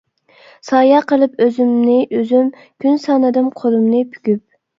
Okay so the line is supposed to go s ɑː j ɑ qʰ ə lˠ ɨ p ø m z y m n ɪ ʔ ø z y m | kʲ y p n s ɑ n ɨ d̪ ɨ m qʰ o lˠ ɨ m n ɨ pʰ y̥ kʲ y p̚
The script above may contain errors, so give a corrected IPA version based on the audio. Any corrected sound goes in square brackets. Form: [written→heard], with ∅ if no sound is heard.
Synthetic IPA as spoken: s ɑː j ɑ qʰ ə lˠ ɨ p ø [m→∅] z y m n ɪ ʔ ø z y m | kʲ y [p→∅] n s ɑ n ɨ d̪ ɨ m qʰ o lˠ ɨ m n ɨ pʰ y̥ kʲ y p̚